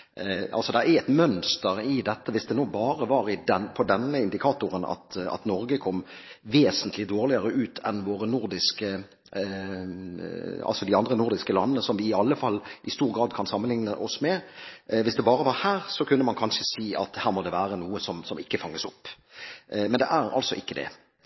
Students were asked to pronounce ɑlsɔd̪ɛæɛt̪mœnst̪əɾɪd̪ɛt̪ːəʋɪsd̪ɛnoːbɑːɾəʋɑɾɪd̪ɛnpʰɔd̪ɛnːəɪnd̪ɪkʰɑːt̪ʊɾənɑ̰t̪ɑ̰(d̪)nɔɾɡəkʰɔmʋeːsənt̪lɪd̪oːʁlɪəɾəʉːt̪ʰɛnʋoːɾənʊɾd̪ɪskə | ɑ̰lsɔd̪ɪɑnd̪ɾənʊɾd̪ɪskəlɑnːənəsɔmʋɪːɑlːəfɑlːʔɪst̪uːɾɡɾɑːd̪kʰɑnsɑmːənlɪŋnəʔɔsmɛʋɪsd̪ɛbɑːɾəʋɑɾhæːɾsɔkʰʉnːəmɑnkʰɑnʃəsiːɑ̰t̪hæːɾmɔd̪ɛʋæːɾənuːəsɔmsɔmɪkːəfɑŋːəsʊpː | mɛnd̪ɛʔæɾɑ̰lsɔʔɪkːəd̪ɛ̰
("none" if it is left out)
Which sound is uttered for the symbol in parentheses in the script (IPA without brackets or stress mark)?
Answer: t̪